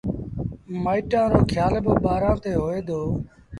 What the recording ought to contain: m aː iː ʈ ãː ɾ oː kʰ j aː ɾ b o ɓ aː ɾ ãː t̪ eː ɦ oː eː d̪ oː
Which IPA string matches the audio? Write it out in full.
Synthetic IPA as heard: m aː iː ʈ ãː ɾ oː kʰ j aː l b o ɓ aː ɾ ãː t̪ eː ɦ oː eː d̪ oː

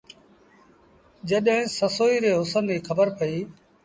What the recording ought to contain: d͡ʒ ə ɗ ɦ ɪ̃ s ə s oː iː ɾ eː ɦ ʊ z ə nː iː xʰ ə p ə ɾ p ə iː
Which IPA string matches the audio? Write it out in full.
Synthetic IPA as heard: d͡ʒ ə ɗ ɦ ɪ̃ s ə s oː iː ɾ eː ɦ ʊ s ə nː iː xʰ ə b ə ɾ p ə iː

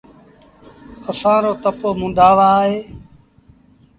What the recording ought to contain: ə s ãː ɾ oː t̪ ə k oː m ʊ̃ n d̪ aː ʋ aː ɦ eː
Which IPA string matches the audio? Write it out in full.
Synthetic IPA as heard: ə s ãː ɾ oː t̪ ə p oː m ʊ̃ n d̪ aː ʋ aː ɦ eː

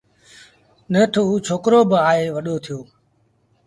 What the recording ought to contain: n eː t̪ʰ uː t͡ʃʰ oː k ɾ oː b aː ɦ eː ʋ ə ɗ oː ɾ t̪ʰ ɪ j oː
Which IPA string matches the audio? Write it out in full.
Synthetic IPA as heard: n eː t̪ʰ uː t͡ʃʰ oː k ɾ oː b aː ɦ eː ʋ ə ɗ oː t̪ʰ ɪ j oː

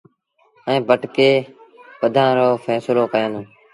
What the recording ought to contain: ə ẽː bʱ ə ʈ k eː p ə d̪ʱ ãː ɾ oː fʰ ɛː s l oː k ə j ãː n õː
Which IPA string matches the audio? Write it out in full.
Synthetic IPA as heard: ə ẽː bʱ ə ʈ k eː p ə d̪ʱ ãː ɾ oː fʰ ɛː s l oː k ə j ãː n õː

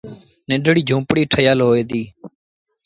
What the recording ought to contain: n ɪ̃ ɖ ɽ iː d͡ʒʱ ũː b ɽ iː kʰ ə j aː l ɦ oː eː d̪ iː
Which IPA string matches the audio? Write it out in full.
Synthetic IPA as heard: n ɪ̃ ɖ ɽ iː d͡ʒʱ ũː p ɽ iː ʈʰ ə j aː l ɦ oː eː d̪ iː

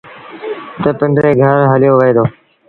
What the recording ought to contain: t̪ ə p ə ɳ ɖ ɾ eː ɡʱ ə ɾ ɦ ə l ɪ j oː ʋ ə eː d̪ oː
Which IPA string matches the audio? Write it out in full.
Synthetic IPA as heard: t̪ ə p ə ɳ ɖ ɾ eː ɡʱ ə ɾ ɦ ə l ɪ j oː ʋ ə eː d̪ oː

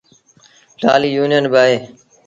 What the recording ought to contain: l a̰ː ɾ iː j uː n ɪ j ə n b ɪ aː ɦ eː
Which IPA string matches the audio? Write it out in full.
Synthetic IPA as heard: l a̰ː l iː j uː n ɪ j ə n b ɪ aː ɦ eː

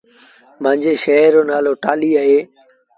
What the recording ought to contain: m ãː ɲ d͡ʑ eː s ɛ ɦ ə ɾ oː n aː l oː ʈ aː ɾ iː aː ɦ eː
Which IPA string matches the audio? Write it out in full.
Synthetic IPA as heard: m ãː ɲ d͡ʑ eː ʃ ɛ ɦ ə ɾ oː n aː l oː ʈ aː l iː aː ɦ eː

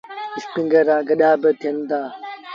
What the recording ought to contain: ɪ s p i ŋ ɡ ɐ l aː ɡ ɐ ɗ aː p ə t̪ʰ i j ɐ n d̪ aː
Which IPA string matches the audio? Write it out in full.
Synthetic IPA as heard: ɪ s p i ŋ ɡ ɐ ɾ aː ɡ ɐ ɗ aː b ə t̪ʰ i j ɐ n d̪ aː

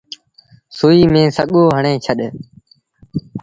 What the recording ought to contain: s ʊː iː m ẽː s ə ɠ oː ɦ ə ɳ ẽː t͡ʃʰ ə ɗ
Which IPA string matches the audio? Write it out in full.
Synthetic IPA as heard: s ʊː iː m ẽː s ə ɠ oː ɦ ə ɳ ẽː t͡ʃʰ ə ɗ

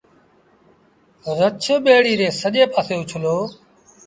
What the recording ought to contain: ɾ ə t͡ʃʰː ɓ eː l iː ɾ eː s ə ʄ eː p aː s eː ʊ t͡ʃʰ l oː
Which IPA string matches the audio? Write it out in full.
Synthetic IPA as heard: ɾ ə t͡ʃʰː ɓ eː ɽ iː ɾ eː s ə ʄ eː p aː s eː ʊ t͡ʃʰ l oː

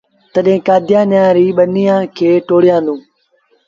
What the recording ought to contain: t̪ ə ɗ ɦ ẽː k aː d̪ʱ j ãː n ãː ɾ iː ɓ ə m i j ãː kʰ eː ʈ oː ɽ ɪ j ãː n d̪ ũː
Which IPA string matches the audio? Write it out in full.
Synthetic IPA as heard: t̪ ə ɗ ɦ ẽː k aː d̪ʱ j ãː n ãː ɾ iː ɓ ə n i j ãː kʰ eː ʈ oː ɽ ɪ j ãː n d̪ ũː

